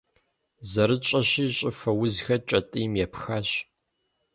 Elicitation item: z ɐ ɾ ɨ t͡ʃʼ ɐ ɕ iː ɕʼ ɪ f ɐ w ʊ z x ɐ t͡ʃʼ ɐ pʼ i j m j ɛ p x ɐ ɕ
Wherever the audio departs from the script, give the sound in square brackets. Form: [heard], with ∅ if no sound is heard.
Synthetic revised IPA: z ɐ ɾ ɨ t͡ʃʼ ɐ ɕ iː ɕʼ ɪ f ɐ w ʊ z x ɐ t͡ʃʼ ɐ [tʼ] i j m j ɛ p x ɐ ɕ